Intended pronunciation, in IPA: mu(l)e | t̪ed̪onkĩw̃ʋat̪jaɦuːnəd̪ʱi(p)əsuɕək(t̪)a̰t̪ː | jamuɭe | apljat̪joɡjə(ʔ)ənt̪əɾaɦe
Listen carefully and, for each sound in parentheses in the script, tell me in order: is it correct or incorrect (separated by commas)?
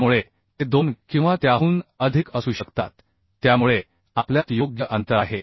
incorrect, incorrect, correct, correct